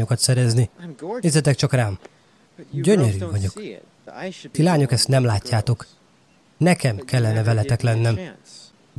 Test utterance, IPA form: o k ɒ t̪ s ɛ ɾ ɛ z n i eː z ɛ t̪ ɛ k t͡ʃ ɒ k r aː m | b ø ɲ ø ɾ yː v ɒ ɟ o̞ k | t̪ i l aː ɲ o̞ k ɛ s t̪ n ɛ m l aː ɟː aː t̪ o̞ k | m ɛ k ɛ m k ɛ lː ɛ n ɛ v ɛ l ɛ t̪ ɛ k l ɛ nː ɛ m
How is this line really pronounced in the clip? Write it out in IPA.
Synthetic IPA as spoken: o k ɒ t̪ s ɛ ɾ ɛ z n i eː z ɛ t̪ ɛ k t͡ʃ ɒ k r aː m | ɟ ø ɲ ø ɾ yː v ɒ ɟ o̞ k | t̪ i l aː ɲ o̞ k ɛ s t̪ n ɛ m l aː cː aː t̪ o̞ k | n ɛ k ɛ m k ɛ lː ɛ n ɛ v ɛ l ɛ t̪ ɛ k l ɛ nː ɛ m